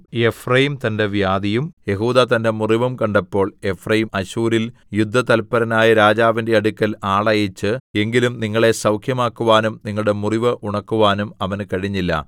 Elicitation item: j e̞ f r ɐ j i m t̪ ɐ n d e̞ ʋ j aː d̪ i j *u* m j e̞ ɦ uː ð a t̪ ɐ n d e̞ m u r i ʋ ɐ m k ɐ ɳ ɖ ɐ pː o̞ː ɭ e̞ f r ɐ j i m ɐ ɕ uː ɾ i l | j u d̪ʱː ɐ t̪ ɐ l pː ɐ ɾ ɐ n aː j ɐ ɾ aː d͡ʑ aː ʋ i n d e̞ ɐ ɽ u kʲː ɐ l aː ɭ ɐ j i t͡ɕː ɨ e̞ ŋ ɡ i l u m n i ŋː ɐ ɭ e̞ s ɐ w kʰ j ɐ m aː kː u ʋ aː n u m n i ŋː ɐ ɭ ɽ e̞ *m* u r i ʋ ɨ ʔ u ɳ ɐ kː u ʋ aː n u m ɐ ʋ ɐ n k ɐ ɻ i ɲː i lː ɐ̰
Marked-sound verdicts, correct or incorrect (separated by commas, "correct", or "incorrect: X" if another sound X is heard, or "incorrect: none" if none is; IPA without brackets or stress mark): correct, correct